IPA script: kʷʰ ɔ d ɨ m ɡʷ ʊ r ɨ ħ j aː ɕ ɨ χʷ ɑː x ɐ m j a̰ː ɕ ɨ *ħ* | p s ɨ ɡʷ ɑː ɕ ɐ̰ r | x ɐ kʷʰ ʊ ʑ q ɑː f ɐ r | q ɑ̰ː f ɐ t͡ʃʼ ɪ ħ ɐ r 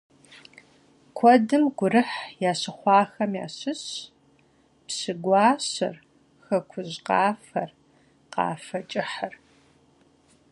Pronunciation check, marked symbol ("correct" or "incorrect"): incorrect